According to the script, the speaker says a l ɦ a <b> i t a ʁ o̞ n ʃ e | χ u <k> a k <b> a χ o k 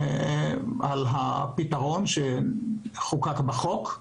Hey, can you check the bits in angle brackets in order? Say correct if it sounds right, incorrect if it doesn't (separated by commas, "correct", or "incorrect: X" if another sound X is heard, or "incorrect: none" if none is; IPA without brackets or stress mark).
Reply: incorrect: p, correct, correct